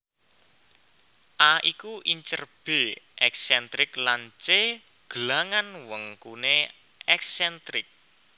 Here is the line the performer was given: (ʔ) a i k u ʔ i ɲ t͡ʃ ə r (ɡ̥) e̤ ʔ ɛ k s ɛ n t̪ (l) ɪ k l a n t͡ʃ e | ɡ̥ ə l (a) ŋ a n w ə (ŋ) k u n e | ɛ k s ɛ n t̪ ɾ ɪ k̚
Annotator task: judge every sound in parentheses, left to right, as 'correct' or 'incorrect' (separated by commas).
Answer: correct, incorrect, incorrect, correct, correct